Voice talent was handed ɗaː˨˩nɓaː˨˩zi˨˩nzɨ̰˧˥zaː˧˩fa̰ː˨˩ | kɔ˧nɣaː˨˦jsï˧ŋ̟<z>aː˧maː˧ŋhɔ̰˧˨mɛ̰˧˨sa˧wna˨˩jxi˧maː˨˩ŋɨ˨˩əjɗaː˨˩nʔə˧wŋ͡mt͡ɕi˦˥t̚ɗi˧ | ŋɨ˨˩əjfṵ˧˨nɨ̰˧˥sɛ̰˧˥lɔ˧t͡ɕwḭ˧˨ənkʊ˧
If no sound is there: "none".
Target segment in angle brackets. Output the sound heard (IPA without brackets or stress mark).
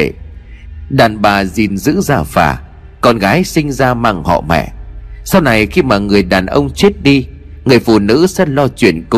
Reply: z